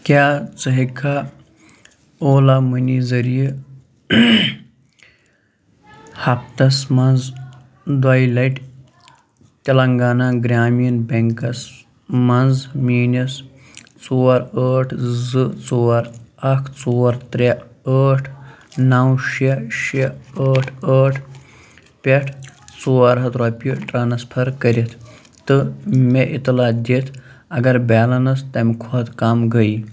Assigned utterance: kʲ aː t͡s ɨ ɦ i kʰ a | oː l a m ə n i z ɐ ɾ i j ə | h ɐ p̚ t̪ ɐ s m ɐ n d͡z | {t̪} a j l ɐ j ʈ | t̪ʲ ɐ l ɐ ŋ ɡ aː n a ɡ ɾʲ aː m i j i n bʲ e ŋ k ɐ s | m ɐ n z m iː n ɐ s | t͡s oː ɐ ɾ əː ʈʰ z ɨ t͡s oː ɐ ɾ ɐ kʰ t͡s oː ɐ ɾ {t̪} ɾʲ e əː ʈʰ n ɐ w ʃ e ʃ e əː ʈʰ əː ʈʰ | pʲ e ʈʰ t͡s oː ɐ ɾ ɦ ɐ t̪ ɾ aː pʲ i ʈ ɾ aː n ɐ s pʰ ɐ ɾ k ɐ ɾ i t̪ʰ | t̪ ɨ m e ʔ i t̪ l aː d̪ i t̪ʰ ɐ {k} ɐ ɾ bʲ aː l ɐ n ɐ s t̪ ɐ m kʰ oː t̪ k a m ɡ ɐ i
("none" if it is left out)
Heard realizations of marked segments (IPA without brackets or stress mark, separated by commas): d̪, t̪, ɡ